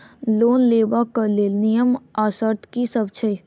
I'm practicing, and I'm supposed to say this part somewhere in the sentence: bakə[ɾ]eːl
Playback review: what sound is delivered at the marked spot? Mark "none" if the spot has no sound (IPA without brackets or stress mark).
l